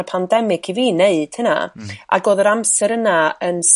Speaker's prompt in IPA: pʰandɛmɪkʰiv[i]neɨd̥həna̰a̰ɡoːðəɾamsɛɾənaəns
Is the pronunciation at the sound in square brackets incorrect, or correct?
incorrect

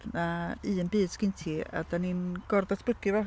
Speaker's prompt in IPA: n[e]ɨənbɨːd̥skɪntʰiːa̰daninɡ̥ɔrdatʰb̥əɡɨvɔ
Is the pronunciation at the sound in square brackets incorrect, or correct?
incorrect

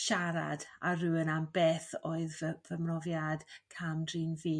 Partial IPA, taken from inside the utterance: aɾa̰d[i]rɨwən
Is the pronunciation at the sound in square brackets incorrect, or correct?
incorrect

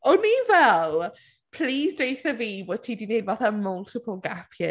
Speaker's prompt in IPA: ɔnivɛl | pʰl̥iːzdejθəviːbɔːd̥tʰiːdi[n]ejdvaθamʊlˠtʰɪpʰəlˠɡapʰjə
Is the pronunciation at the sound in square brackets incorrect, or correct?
correct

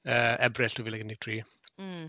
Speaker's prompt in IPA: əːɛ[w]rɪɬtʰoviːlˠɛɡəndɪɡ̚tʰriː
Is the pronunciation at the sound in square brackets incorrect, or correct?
incorrect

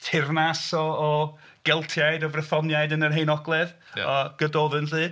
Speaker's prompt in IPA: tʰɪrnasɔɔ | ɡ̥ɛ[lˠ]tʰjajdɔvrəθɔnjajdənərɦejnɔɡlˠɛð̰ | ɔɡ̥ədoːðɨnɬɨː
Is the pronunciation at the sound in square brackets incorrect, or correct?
correct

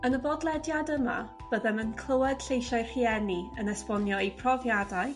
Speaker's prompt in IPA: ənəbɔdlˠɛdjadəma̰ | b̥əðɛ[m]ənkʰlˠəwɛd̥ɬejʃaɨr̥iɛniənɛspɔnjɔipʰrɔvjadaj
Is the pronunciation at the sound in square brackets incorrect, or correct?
correct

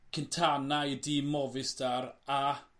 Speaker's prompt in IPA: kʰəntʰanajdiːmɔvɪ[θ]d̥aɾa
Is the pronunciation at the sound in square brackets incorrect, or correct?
incorrect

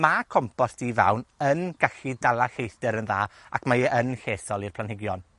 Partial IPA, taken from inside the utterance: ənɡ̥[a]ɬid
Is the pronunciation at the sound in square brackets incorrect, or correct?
correct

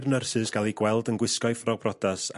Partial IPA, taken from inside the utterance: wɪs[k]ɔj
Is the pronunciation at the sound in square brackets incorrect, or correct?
correct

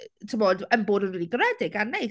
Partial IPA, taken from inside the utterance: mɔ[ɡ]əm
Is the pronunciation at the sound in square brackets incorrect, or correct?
incorrect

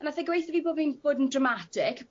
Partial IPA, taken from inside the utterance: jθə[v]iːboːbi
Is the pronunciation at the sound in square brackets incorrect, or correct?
correct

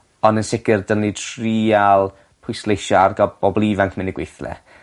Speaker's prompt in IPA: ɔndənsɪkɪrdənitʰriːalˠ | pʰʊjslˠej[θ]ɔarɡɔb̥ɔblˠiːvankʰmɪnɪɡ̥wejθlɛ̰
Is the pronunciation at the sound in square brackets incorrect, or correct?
incorrect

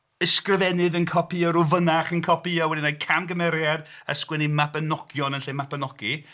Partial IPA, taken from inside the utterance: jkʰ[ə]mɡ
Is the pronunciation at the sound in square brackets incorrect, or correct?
incorrect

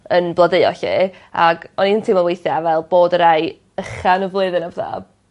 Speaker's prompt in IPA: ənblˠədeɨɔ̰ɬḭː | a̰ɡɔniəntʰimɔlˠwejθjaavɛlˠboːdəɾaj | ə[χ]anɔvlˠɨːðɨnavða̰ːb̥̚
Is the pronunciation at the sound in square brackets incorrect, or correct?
correct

